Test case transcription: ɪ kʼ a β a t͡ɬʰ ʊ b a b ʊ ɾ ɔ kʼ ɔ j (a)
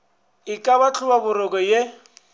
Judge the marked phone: incorrect: e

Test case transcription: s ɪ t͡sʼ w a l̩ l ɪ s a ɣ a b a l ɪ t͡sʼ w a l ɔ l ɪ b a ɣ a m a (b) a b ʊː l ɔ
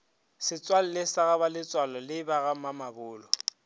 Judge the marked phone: incorrect: m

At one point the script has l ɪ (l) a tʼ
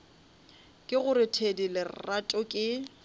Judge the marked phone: incorrect: r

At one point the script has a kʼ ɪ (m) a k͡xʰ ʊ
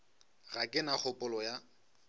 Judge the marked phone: incorrect: n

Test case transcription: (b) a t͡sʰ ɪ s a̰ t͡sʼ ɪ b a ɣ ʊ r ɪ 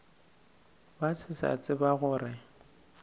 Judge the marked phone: correct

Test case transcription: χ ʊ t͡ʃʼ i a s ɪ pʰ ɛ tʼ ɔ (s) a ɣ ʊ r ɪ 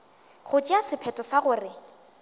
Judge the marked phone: correct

